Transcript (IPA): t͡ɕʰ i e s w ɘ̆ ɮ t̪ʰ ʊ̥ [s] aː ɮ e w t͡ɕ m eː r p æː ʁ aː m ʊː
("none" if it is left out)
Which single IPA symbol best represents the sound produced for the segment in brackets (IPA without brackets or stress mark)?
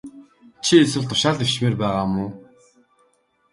ʃ